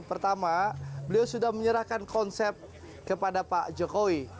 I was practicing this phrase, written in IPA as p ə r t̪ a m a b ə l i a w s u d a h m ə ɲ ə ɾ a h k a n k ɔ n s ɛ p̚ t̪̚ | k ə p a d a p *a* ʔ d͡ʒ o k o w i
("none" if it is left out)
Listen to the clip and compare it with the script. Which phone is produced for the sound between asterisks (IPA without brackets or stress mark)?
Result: a